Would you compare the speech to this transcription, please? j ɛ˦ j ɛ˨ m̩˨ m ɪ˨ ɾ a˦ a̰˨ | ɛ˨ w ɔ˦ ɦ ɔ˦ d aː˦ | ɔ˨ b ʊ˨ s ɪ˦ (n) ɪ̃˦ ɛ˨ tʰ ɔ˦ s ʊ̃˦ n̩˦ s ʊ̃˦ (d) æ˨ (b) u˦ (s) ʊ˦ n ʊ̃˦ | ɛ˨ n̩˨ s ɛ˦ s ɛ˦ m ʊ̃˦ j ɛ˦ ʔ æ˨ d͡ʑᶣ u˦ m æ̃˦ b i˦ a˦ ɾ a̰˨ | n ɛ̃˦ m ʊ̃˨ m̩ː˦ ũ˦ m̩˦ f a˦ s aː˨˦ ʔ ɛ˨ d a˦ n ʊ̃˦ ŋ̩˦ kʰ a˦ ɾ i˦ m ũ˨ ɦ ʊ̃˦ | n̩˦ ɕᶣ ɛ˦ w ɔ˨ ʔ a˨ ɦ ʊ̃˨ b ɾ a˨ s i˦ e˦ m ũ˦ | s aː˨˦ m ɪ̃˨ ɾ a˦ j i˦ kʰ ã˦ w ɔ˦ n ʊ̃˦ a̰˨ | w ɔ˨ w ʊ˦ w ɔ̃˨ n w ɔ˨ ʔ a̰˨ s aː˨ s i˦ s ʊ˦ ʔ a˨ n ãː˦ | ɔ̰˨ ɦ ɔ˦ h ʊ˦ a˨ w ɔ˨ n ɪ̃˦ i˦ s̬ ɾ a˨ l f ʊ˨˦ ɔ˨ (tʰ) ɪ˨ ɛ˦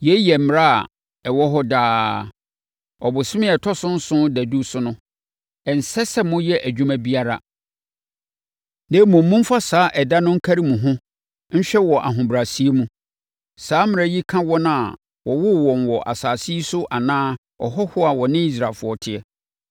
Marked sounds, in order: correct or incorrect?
incorrect, correct, incorrect, correct, correct

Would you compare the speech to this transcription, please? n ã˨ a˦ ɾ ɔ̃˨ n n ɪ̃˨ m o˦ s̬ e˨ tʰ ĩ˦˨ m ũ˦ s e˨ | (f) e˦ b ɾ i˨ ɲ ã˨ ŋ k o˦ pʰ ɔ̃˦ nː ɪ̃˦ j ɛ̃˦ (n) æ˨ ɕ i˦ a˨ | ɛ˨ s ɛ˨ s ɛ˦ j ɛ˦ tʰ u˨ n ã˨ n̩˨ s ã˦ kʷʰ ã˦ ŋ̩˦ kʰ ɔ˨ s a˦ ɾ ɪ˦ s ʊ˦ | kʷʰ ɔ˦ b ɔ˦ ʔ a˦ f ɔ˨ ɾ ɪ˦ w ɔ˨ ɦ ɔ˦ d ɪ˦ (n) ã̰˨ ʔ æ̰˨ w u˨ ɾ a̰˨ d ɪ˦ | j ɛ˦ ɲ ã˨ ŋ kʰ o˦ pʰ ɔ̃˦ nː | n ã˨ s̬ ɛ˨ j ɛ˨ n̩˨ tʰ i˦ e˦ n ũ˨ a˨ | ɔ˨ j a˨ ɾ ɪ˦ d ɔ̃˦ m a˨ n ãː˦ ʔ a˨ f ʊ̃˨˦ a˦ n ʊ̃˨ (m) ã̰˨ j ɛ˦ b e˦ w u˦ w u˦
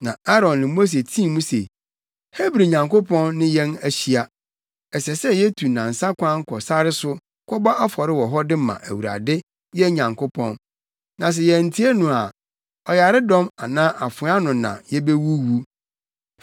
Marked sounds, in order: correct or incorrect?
incorrect, correct, incorrect, incorrect

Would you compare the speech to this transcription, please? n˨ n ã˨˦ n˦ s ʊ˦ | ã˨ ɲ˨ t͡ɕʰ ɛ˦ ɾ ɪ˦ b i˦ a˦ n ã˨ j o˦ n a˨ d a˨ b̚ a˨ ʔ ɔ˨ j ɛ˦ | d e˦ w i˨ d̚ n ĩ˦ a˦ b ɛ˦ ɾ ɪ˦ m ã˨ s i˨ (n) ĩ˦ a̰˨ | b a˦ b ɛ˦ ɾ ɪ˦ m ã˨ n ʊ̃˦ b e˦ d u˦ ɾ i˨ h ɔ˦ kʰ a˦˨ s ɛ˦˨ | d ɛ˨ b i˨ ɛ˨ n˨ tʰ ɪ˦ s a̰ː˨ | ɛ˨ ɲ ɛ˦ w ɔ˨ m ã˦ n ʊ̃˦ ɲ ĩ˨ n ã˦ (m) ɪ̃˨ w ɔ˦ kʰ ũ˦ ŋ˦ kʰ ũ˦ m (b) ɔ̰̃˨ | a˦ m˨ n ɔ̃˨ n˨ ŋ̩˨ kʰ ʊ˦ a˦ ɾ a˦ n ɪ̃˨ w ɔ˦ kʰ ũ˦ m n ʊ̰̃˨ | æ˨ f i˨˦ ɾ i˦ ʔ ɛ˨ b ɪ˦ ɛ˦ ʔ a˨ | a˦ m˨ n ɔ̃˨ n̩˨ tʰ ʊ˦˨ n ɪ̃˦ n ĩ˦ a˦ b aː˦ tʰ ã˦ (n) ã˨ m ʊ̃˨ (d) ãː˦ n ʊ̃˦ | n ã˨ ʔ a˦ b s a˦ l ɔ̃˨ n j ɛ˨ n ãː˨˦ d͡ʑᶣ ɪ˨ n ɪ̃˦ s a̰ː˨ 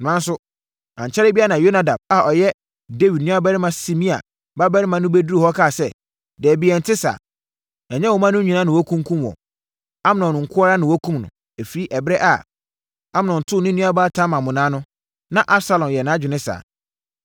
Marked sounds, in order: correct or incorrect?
incorrect, incorrect, incorrect, incorrect, incorrect

